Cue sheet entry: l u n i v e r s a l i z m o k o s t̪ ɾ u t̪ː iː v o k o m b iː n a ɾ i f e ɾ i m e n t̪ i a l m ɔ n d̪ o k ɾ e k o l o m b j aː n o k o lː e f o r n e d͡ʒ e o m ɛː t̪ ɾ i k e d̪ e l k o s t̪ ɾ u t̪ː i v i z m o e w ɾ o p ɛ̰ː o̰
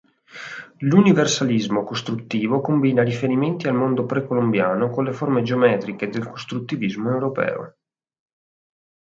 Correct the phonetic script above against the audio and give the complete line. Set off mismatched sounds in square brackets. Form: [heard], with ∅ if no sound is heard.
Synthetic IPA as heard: l u n i v e r s a l i z m o k o s t̪ ɾ u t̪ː iː v o k o m b iː n a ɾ i f e ɾ i m e n t̪ i a l m [o] n d̪ o [p] ɾ e k o l o m b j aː n o k o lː e f o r [m] e d͡ʒ e o m ɛː t̪ ɾ i k e d̪ e l k o s t̪ ɾ u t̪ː i v i z m o e w ɾ o p ɛ̰ː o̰